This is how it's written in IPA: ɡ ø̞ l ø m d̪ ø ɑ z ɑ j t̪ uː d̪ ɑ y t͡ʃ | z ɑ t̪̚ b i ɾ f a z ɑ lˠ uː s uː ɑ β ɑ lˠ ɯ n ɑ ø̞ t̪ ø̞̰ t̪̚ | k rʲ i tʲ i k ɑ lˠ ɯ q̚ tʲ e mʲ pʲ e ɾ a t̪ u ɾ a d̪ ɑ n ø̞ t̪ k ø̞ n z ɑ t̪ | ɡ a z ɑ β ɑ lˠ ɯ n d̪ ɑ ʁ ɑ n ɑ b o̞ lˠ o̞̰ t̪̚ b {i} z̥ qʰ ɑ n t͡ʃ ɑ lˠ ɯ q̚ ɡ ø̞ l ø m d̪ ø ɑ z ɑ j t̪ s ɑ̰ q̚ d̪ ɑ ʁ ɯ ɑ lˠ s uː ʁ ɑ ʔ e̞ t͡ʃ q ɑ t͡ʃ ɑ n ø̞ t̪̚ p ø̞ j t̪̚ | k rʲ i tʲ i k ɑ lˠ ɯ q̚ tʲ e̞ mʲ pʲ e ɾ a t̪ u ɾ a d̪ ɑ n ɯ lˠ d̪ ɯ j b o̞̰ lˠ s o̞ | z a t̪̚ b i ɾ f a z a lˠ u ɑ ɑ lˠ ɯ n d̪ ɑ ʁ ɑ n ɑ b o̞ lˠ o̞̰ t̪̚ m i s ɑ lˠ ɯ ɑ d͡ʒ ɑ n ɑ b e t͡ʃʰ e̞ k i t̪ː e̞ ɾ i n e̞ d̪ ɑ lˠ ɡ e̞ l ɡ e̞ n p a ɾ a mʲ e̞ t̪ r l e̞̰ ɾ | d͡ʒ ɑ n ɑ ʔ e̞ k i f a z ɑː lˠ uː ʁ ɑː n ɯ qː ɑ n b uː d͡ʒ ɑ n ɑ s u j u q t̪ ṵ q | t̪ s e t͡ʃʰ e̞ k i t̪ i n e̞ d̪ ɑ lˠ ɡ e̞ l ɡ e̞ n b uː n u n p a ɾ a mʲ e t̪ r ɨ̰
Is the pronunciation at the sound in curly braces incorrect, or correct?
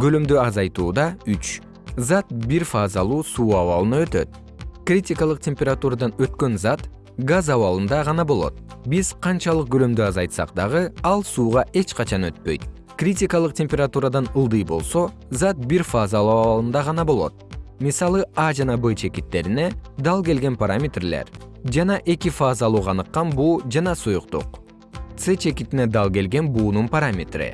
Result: correct